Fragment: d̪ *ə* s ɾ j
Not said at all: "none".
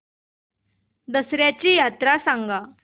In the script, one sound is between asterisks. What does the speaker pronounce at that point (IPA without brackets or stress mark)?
ə